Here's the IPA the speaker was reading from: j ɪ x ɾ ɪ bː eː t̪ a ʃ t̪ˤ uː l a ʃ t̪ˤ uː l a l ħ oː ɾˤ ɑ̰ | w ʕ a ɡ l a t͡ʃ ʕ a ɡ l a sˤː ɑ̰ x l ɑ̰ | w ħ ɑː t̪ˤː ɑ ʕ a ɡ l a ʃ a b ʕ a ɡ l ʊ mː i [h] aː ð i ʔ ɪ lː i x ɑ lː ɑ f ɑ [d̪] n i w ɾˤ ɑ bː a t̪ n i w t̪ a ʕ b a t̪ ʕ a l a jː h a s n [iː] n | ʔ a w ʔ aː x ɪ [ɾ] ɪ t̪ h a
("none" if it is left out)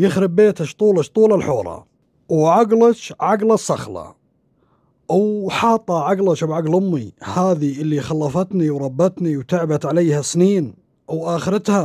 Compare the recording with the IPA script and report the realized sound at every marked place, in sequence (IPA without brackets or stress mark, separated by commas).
h, t̪, iː, ɾ